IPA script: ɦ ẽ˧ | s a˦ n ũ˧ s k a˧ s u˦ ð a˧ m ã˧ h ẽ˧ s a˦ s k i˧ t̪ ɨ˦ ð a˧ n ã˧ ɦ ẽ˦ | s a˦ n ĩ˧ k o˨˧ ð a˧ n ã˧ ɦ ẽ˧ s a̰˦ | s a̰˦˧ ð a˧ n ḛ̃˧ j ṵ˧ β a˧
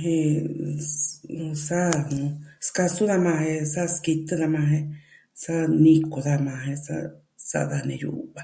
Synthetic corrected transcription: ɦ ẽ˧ | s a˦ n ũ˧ s k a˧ s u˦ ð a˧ m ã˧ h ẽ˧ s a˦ s k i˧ t̪ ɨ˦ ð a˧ m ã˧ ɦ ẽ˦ | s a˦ n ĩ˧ k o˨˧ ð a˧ m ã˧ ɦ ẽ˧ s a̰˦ | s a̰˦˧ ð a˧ n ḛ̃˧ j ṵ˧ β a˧